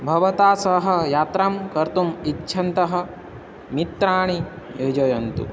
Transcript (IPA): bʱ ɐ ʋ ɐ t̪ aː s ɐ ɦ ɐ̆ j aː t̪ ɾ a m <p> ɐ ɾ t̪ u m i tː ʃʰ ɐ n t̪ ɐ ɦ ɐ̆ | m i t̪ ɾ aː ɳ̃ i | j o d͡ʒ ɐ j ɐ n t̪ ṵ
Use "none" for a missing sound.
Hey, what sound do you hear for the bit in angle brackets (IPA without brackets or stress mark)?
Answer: k